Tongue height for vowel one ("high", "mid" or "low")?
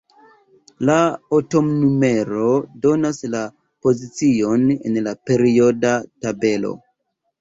low